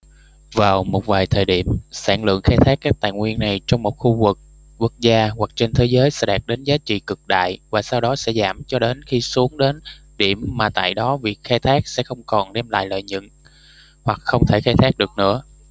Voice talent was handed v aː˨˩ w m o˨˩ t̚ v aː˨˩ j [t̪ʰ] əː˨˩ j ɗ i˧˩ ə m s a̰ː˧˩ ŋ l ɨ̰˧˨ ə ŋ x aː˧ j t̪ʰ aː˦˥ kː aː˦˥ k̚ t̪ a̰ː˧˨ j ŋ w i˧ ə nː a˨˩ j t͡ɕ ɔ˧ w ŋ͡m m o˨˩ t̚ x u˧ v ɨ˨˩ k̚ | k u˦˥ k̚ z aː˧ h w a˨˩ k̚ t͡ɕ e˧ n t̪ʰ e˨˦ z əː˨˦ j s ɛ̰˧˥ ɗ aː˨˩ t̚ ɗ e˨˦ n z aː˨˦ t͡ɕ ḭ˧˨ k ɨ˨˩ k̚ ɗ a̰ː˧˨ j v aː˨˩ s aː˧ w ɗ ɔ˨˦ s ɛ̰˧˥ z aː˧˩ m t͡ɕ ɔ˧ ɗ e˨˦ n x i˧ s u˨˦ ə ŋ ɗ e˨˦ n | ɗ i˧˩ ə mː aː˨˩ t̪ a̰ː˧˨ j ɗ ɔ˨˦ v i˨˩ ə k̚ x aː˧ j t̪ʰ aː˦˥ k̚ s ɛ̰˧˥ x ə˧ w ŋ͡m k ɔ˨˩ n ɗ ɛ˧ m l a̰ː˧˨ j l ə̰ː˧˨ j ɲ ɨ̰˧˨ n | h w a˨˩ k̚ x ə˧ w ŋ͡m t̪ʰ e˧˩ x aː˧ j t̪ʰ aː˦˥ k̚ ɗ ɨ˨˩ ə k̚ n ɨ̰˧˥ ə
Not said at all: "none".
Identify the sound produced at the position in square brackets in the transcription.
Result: t̪ʰ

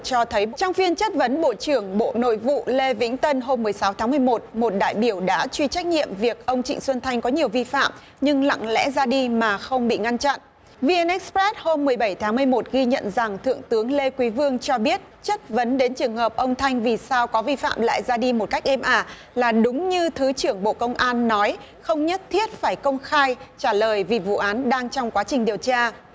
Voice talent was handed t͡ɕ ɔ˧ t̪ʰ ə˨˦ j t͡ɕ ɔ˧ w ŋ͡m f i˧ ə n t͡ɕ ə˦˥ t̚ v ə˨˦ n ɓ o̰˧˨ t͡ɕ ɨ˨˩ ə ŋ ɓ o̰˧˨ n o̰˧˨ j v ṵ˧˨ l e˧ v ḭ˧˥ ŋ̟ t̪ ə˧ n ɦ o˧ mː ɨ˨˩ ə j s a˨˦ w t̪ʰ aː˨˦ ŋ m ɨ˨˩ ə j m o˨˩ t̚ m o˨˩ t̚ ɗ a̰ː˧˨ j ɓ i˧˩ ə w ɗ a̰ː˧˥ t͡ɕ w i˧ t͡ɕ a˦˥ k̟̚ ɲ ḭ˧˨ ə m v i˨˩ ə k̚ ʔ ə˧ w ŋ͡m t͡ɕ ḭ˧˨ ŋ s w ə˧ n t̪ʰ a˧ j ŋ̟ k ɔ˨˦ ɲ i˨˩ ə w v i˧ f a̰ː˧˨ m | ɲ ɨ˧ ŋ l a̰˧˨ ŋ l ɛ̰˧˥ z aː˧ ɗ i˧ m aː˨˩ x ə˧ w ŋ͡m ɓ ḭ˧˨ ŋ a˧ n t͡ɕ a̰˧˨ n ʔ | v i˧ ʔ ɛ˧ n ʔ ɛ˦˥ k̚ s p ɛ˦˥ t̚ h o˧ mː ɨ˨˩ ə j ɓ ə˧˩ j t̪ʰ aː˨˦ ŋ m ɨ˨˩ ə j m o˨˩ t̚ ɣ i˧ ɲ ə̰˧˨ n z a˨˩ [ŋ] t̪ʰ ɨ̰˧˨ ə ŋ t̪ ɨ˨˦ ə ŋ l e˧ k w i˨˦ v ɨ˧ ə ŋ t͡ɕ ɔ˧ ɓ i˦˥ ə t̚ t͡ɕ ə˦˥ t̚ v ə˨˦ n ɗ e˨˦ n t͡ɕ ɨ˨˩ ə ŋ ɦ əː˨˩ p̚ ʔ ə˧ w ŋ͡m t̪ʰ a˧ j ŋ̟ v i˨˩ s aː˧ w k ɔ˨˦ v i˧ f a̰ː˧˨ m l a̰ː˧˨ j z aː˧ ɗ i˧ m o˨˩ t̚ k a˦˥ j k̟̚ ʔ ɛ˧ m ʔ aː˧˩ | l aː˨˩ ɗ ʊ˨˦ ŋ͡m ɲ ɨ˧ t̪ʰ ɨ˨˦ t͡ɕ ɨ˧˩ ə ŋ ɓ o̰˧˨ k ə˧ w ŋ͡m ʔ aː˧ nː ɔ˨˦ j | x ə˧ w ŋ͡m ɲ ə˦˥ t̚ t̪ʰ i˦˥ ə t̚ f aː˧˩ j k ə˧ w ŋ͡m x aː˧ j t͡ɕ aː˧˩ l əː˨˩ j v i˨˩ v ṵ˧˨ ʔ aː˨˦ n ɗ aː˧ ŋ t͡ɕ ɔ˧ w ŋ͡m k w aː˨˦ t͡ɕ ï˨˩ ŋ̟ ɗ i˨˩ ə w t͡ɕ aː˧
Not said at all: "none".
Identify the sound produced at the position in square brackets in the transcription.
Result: ŋ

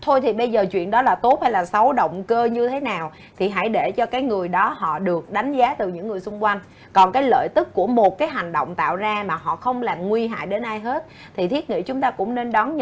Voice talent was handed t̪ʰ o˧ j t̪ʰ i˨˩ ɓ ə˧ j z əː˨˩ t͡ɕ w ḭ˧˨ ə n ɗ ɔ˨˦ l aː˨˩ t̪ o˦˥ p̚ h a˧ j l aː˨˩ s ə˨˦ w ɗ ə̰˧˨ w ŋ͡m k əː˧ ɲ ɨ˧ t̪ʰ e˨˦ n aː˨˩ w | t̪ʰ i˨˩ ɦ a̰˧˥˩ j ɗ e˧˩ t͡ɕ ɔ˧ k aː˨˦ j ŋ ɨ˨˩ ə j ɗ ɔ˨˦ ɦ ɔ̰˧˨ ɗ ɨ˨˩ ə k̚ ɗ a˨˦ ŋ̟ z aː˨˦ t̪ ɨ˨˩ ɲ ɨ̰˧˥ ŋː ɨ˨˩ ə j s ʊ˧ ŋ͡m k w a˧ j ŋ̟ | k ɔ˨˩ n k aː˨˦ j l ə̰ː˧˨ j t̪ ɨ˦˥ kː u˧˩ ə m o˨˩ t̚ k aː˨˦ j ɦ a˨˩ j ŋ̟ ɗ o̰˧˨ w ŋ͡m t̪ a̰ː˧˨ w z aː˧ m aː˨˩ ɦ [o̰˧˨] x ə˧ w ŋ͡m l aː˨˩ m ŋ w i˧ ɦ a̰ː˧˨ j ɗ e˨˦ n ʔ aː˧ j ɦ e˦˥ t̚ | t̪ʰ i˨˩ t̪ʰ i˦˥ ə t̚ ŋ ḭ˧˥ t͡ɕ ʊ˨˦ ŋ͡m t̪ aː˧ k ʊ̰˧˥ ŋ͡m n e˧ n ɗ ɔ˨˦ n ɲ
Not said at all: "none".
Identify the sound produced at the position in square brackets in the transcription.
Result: ɔ̰˧˨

